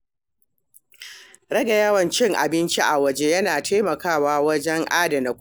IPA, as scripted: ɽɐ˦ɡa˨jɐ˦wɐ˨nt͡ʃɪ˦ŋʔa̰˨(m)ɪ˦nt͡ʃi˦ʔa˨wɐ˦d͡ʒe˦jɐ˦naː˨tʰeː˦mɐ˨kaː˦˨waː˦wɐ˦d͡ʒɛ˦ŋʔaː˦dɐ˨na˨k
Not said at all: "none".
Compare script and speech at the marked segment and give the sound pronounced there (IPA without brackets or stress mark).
b